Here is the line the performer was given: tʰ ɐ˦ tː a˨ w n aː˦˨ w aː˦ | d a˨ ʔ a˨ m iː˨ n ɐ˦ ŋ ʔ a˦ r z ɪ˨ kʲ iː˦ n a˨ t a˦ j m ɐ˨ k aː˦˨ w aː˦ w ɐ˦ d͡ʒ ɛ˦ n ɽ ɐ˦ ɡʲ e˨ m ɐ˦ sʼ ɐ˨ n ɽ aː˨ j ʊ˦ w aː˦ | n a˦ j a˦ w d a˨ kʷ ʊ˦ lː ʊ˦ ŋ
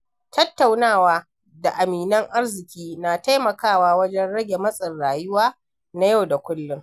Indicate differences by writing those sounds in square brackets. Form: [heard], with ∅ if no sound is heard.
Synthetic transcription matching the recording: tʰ ɐ˦ tː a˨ w n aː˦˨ w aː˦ | d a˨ ʔ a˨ m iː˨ n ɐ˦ ŋ ʔ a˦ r z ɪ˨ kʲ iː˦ n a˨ t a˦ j m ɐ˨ k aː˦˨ w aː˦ w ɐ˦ d͡ʒ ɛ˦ n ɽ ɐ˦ ɡʲ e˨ m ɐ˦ sʼ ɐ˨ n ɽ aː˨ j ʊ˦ w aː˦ | n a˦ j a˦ w d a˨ kʷ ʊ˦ lː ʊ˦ ŋ